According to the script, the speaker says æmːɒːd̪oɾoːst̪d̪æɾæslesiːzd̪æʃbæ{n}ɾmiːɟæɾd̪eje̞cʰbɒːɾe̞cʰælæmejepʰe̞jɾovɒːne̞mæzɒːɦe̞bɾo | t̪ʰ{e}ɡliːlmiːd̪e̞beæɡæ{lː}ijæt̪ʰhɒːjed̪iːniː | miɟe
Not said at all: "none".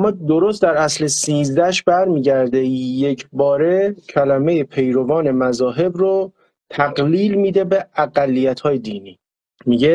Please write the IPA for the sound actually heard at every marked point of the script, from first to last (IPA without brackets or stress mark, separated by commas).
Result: none, æ, lː